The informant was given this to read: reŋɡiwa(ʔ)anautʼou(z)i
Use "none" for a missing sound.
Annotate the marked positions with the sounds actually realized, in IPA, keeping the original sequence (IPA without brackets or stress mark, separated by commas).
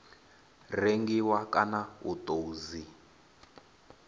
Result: k, z